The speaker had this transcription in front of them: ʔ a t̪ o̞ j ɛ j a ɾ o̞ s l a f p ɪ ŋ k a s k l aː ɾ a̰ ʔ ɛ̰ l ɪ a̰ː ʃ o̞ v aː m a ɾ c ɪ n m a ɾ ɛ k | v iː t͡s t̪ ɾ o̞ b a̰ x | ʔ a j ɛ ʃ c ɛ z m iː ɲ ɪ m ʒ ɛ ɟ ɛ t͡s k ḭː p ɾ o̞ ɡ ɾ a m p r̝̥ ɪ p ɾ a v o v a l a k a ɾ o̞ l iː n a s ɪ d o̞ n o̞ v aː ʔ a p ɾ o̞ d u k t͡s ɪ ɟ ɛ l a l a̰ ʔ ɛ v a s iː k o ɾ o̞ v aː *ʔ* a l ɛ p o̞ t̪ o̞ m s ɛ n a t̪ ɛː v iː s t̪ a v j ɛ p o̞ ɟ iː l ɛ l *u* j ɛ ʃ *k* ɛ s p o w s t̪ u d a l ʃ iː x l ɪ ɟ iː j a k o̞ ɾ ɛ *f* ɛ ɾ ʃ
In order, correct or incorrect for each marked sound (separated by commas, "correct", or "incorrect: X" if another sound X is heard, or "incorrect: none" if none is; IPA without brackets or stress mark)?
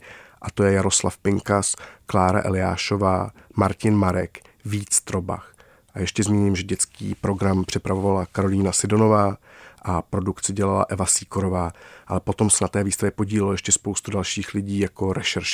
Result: correct, incorrect: o, incorrect: c, incorrect: ʃ